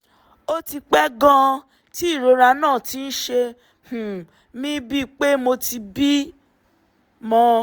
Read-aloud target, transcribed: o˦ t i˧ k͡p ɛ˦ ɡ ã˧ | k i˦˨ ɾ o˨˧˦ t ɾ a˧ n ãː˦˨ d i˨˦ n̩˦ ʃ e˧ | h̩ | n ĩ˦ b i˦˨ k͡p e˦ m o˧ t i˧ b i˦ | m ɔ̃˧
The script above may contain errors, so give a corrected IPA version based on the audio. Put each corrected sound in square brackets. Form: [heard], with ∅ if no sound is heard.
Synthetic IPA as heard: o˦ t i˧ k͡p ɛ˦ ɡ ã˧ | [t] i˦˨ ɾ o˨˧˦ [∅] ɾ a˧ n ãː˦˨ [t] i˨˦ n̩˦ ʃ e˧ | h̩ | [m] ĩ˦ b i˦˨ k͡p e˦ m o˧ t i˧ b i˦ | m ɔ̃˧